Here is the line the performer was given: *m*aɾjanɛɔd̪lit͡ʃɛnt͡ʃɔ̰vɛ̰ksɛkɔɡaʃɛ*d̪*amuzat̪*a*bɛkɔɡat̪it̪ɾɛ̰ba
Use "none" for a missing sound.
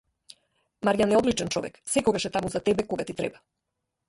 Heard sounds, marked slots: m, t̪, ɛ

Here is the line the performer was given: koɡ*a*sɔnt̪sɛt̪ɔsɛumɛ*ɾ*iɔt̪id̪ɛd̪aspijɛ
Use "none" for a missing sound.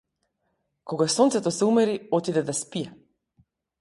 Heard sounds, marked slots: a, ɾ

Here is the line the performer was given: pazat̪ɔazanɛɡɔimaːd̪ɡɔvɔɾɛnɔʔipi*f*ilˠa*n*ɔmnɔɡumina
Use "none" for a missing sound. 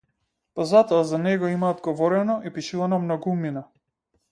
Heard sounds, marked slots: ʃ, n

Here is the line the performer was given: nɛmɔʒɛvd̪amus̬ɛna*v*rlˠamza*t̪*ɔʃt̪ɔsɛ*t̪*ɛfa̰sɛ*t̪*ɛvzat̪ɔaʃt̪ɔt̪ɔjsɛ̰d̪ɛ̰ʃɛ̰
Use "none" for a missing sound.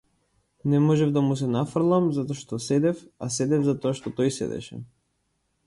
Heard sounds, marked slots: f, t̪, d̪, d̪

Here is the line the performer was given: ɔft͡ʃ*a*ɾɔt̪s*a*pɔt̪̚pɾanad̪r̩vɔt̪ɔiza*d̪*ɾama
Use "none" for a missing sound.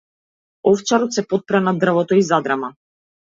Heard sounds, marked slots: a, ɛ, d̪

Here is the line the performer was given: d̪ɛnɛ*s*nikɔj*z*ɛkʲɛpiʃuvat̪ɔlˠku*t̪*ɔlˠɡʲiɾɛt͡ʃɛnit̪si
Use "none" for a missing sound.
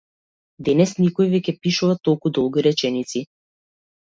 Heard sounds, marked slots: s, v, d̪

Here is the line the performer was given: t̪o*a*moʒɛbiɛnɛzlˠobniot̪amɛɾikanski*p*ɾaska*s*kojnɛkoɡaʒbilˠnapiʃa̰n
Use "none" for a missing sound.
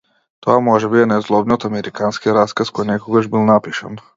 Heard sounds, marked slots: a, none, s

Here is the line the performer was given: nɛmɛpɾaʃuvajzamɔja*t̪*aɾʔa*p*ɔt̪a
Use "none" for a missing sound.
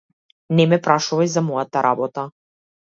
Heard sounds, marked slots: t̪, b

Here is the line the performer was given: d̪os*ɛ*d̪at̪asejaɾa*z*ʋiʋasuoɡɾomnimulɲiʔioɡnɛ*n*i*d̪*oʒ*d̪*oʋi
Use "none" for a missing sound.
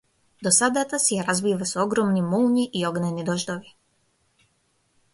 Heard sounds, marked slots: a, z, n, d̪, d̪

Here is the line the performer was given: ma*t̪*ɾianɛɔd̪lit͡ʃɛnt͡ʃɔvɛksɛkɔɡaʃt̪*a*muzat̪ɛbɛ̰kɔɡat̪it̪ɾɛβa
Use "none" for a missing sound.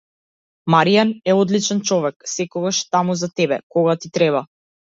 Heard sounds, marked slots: none, a

